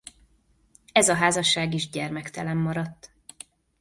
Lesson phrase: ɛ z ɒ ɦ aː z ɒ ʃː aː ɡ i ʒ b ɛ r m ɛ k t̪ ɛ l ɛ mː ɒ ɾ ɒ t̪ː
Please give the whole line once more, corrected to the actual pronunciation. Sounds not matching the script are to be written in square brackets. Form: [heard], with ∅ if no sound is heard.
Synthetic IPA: ɛ z ɒ ɦ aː z ɒ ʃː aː ɡ i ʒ [ɟ] ɛ r m ɛ k t̪ ɛ l ɛ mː ɒ ɾ ɒ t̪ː